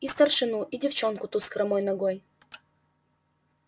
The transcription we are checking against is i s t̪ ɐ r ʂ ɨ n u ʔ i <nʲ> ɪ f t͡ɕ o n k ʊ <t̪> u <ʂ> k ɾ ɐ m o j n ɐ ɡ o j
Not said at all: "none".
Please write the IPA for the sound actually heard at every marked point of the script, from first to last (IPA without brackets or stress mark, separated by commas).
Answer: dʲ, t̪, s